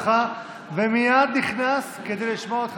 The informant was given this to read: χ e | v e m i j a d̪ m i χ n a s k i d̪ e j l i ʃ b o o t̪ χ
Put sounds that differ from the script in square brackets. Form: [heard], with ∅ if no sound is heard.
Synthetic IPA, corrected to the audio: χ [a] | v e m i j a d̪ [n] i χ n a s k [e] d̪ e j l i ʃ [m] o o t̪ χ